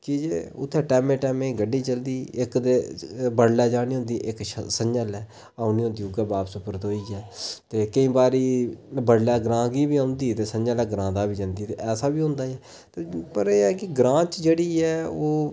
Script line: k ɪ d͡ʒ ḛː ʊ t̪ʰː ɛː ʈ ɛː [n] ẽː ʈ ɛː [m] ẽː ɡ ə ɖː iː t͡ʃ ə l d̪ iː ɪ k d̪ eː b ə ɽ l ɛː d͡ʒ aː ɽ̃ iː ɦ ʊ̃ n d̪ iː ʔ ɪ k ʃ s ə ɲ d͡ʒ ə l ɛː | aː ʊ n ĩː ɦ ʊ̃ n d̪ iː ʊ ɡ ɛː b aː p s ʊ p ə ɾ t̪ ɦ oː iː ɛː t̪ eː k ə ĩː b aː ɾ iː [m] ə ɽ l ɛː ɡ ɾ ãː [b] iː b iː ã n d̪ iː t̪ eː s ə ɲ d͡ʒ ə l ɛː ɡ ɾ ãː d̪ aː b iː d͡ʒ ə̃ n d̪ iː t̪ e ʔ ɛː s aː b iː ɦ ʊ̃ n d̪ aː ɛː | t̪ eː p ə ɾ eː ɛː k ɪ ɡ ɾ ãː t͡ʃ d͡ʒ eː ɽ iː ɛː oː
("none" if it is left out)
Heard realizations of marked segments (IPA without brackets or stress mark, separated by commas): m, m, b, ɡ